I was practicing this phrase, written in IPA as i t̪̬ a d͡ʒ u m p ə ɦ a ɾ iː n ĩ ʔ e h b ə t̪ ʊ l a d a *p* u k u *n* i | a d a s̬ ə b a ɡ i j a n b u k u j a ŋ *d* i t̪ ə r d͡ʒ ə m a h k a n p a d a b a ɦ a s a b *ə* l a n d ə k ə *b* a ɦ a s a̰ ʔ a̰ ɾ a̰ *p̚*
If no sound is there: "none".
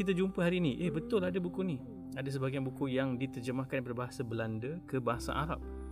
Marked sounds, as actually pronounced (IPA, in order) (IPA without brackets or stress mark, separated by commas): b, n, d, ə, b, p̚